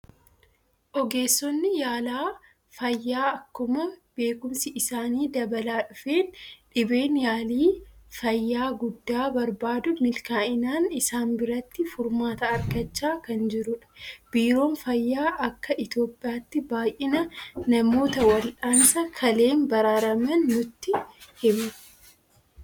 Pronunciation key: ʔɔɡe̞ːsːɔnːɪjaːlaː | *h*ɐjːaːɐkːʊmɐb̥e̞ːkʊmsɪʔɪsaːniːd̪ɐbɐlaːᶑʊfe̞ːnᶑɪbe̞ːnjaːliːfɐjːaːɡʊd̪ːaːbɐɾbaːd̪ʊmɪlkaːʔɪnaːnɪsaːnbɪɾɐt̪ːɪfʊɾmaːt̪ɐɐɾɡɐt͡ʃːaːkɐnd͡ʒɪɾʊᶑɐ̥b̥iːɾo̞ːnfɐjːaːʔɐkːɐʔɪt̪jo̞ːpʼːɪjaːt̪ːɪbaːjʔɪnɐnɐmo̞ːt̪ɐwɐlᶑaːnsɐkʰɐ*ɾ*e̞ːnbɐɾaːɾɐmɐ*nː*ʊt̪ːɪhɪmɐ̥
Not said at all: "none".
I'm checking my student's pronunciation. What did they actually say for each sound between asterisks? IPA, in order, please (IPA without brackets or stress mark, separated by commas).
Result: f, l, nː